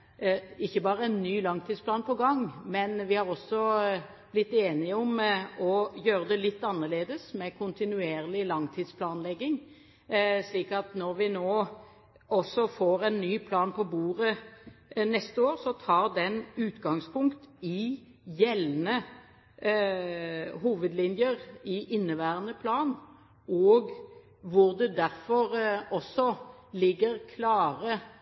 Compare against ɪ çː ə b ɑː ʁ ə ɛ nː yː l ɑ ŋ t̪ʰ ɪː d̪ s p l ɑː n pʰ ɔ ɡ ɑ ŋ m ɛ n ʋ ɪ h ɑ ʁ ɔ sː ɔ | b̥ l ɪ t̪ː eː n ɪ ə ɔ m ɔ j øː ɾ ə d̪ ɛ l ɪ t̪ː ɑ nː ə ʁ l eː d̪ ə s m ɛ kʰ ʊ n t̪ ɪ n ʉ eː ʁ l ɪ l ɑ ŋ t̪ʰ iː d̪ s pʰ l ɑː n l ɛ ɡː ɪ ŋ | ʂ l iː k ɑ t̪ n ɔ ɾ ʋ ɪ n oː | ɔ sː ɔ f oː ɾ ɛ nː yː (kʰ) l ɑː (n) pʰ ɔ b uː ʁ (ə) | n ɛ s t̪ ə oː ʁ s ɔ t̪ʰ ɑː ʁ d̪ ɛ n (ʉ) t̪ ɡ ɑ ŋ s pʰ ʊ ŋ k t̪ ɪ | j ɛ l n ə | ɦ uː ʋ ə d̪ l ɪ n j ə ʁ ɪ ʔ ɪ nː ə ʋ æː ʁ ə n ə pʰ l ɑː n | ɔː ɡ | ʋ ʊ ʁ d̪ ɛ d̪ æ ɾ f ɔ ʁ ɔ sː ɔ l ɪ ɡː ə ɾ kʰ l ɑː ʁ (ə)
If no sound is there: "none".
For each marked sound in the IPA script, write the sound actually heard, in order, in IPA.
pʰ, n, ə, ʉː, ə

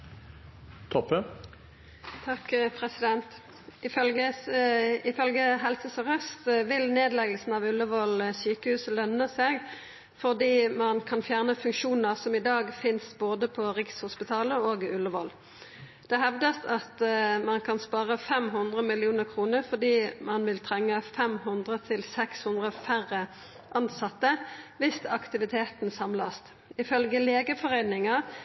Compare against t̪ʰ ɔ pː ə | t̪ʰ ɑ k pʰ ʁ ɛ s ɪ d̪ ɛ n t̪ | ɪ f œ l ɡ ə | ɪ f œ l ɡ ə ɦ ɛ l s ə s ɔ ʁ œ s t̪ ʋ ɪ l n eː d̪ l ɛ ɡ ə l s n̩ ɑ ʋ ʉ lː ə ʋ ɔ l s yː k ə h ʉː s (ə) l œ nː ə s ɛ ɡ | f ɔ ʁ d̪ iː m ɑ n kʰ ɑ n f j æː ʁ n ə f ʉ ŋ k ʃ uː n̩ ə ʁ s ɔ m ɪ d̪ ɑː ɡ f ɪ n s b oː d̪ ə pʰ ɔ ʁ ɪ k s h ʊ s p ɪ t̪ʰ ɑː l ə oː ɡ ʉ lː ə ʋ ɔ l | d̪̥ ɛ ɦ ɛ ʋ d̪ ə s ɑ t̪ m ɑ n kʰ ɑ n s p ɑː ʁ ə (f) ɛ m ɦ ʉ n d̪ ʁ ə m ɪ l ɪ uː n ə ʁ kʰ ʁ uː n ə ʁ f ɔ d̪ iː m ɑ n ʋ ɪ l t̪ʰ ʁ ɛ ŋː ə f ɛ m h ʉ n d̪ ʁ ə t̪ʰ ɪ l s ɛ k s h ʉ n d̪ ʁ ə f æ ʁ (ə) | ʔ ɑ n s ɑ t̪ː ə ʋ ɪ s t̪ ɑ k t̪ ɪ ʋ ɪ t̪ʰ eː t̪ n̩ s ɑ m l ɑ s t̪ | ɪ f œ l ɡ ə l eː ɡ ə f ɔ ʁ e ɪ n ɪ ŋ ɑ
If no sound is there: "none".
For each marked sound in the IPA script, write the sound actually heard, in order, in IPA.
ə, f, ə

